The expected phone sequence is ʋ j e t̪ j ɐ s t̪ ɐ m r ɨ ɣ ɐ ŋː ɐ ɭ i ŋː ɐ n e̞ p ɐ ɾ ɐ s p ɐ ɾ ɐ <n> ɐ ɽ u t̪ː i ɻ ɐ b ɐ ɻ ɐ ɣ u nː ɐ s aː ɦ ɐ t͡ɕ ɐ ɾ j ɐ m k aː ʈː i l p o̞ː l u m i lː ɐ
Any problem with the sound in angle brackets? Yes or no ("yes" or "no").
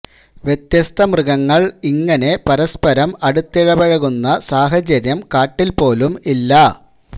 yes